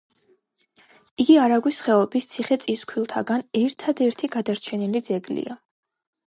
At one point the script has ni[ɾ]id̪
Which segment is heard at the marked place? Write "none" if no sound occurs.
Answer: l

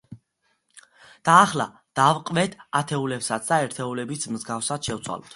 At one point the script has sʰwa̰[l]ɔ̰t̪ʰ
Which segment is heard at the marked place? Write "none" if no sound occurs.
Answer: l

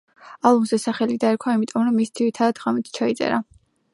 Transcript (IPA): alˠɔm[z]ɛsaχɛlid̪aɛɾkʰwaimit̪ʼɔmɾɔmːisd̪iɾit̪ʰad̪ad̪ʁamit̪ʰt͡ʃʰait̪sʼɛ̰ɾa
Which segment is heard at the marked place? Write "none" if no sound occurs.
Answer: z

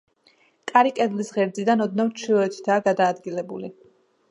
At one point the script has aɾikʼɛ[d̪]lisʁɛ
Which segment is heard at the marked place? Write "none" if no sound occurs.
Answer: d̪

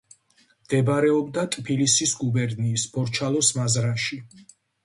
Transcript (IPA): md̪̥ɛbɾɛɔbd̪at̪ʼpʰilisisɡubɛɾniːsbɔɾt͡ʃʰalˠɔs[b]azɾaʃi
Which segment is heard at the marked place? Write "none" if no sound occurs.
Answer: m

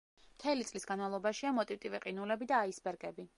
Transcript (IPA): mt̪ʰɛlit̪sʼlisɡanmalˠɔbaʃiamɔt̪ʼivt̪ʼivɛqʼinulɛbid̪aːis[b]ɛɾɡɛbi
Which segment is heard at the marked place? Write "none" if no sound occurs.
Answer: b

